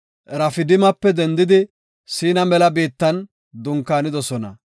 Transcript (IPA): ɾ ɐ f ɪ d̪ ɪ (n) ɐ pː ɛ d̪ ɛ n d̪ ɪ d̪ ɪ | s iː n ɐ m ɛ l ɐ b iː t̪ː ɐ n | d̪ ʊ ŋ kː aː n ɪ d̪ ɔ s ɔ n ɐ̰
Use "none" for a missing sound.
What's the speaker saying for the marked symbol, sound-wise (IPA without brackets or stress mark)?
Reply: m